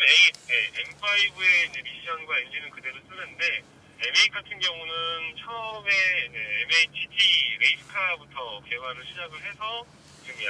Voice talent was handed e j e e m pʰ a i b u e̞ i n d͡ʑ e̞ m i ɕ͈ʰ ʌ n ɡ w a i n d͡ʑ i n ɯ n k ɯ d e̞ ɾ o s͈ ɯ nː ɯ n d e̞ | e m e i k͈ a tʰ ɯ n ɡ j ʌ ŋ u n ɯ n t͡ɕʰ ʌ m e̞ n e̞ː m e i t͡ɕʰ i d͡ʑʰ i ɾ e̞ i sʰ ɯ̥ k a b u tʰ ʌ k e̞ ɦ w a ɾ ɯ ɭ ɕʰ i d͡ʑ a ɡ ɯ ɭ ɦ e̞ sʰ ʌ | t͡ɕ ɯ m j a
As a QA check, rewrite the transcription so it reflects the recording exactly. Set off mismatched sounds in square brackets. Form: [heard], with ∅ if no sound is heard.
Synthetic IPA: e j e e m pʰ a i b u e̞ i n d͡ʑ e̞ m i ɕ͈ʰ ʌ n ɡ w a i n d͡ʑ i n ɯ n k ɯ d e̞ ɾ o s͈ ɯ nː ɯ n d e̞ | e m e i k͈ a tʰ ɯ n ɡ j ʌ ŋ u n ɯ n t͡ɕʰ ʌ m e̞ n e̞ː m e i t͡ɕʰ i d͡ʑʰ i ɾ e̞ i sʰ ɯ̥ [kʰ] a b u tʰ ʌ k e̞ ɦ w a ɾ ɯ ɭ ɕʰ i d͡ʑ a ɡ ɯ ɭ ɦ e̞ sʰ ʌ | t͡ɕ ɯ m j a